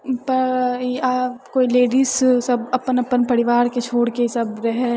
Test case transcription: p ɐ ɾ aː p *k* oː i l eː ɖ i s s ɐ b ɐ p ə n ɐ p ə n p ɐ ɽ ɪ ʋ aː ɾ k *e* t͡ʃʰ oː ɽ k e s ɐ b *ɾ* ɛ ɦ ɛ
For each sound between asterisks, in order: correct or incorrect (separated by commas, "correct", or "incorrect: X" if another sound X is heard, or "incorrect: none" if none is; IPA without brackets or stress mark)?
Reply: correct, correct, correct